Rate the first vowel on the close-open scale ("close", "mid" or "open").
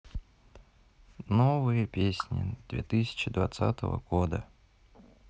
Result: mid